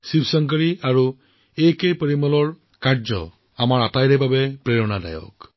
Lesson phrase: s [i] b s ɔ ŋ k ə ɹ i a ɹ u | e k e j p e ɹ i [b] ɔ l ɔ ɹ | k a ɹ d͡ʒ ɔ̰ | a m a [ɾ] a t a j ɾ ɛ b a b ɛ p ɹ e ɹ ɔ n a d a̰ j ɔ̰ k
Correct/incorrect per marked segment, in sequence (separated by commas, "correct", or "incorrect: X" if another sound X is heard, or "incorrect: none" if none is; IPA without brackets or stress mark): correct, incorrect: m, incorrect: ɹ